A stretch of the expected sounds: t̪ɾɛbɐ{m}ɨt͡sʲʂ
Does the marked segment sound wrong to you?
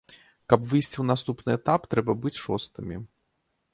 yes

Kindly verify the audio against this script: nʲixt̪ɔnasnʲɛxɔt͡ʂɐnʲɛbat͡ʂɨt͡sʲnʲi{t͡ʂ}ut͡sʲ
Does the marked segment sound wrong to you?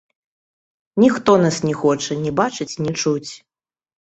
no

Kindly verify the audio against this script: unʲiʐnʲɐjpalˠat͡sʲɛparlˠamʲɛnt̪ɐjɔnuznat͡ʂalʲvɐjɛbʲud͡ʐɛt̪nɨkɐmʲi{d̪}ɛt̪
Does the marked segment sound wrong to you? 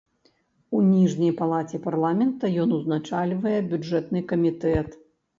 yes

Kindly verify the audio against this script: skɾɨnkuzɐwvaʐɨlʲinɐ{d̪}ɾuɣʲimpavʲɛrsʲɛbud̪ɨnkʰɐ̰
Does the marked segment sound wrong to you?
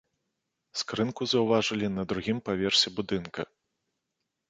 no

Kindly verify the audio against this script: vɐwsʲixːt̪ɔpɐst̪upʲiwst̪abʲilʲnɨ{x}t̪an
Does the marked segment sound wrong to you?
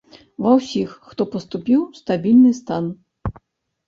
yes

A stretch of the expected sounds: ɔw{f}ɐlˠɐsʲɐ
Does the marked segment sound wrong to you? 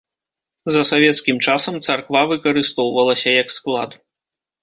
yes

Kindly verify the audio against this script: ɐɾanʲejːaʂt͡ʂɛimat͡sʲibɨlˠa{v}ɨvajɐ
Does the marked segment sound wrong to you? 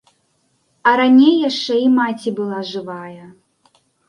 yes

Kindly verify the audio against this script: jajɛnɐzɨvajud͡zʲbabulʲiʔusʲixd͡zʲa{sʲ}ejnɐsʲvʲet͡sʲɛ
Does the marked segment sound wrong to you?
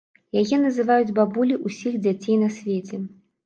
yes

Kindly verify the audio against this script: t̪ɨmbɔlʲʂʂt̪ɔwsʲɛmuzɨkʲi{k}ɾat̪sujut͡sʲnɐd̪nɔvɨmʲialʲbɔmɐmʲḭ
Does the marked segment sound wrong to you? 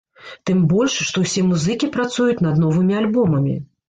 yes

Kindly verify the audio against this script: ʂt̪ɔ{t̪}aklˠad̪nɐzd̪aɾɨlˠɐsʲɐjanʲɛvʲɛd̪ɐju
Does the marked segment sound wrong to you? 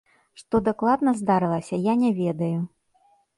yes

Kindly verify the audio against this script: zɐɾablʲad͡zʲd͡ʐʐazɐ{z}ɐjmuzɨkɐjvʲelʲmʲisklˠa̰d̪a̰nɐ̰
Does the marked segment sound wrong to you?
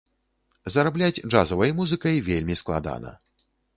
yes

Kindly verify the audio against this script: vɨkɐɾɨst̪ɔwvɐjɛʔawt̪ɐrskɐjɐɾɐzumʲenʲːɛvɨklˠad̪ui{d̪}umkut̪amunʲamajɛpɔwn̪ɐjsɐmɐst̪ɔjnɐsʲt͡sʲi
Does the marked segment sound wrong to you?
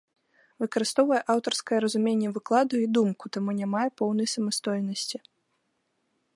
no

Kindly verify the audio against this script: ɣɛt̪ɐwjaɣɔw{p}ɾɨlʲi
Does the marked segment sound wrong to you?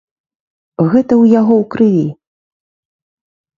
yes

